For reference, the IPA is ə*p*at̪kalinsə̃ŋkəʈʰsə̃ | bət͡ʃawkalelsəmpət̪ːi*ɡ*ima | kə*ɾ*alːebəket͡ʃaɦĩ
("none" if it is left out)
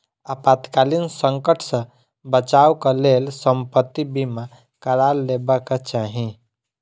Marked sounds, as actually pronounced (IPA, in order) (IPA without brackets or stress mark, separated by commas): p, b, ɾ